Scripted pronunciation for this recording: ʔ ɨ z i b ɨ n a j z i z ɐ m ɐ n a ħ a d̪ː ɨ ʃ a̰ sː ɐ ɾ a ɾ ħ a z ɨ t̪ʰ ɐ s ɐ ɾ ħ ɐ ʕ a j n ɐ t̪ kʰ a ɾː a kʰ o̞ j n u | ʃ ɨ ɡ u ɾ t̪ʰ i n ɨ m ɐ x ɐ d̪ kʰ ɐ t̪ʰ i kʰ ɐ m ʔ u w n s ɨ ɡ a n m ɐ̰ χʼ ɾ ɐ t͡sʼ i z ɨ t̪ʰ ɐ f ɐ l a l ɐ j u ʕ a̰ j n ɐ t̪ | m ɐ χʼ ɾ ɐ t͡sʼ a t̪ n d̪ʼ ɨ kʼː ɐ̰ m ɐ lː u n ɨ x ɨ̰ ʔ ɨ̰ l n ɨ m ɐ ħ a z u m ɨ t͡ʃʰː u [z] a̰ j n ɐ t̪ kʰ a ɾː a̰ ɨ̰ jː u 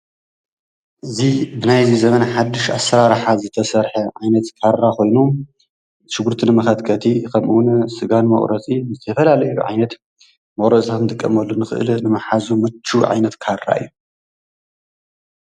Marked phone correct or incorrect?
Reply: incorrect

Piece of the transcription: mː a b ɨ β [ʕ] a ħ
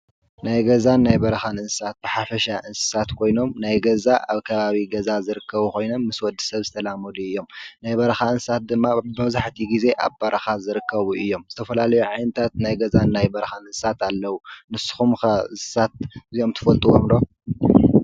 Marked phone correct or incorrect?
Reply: incorrect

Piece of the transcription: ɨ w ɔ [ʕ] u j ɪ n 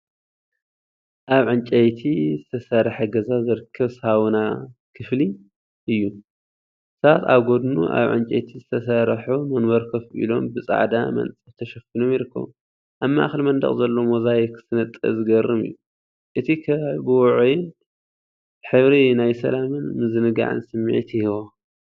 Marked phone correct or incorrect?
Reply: correct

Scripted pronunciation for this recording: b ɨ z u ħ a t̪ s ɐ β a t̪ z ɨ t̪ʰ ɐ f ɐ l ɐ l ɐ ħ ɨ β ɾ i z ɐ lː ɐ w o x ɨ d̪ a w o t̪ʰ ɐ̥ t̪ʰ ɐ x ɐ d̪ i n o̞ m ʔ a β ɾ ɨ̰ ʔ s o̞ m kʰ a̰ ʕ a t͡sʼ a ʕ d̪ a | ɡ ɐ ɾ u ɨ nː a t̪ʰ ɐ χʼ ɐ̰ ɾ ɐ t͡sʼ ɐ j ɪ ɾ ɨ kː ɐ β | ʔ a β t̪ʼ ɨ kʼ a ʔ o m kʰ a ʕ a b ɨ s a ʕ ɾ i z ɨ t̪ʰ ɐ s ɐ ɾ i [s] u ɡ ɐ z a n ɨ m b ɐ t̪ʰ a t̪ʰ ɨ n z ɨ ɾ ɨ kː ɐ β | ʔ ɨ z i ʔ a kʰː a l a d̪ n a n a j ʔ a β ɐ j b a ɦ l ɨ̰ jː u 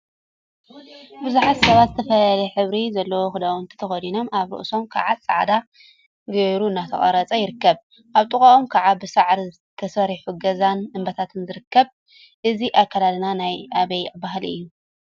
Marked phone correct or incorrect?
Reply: incorrect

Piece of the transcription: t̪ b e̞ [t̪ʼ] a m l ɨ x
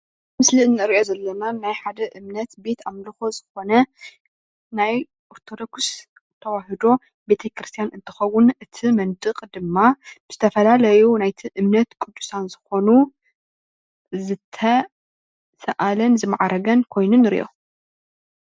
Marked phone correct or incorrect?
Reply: incorrect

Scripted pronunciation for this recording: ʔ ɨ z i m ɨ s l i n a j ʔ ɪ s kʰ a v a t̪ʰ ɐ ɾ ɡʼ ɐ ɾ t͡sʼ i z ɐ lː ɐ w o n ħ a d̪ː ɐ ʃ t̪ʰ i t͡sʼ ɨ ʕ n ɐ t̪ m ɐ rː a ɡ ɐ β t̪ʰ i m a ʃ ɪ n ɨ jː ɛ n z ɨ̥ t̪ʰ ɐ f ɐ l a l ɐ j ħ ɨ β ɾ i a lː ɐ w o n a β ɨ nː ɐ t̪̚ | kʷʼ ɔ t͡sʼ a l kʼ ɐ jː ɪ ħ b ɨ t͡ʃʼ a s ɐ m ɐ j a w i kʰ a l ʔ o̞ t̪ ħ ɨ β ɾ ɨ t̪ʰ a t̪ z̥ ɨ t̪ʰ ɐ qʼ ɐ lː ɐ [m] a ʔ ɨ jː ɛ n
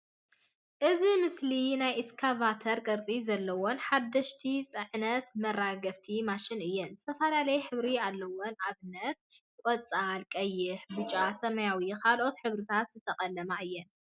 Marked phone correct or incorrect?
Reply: correct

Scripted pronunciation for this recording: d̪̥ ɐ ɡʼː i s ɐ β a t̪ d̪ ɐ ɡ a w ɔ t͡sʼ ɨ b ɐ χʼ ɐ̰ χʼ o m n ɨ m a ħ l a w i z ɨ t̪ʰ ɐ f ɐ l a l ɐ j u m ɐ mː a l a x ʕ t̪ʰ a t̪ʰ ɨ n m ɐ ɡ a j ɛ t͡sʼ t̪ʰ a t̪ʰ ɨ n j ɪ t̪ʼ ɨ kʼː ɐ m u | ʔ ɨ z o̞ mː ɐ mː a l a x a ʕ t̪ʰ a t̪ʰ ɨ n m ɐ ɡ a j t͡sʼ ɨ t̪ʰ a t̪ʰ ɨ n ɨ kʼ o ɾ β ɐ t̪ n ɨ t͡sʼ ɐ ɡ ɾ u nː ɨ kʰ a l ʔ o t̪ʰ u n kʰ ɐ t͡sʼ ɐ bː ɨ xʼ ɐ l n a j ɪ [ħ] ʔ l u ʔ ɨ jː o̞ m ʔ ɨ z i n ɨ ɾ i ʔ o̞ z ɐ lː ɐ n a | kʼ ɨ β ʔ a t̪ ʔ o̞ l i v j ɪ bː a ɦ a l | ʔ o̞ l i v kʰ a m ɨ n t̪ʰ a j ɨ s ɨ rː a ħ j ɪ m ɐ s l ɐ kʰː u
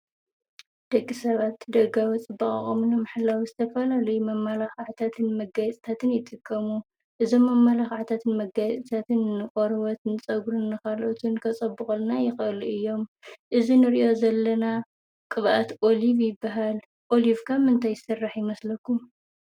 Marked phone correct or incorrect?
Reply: incorrect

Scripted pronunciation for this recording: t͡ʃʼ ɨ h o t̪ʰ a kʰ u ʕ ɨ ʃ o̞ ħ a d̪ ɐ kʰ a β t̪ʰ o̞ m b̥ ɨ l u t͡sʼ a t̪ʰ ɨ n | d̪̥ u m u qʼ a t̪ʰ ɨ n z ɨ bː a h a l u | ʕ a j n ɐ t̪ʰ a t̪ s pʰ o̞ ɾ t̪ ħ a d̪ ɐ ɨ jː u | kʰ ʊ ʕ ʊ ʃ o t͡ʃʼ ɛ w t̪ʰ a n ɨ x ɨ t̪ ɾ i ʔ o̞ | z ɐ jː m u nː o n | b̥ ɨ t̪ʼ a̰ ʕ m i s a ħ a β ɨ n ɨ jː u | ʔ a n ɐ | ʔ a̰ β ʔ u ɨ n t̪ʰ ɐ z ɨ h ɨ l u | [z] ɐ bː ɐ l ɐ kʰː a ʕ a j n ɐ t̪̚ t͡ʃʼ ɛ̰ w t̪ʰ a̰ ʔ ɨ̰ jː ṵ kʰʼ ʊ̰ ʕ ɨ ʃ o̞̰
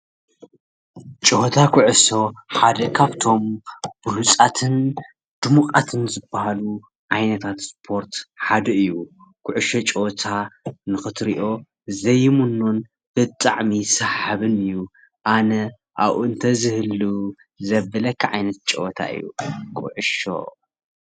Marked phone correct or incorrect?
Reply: correct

